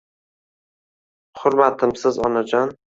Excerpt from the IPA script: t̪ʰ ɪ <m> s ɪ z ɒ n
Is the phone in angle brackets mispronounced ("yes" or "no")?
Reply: no